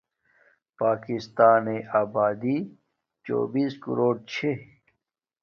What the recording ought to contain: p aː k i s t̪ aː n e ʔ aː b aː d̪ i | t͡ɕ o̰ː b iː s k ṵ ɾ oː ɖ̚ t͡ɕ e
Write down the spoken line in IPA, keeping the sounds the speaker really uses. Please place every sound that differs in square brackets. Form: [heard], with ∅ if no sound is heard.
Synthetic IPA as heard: p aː k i s t̪ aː n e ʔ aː b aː d̪ i | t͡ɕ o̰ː b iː s k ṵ ɾ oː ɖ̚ [t͡ɕʰ] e